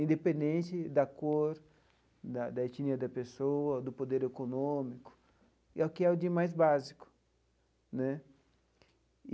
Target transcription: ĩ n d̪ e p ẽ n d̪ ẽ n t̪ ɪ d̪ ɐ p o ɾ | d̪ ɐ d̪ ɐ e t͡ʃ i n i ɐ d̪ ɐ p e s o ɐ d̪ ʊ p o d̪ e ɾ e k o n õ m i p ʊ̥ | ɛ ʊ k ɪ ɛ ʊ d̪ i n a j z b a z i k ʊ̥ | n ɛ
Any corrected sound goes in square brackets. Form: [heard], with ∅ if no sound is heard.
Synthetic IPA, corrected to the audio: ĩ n d̪ e p ẽ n d̪ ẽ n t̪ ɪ d̪ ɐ [k] o ɾ | d̪ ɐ d̪ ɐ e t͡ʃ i n i ɐ d̪ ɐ p e s o ɐ d̪ ʊ p o d̪ e ɾ e k o n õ m i [k] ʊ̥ | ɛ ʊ k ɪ ɛ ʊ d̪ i [m] a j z b a z i k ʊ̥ | n ɛ